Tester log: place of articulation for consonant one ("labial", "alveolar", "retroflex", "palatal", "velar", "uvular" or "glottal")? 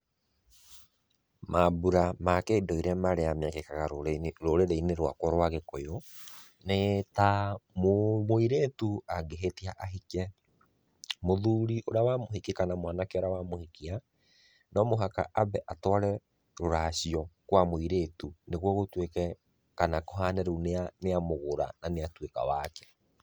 labial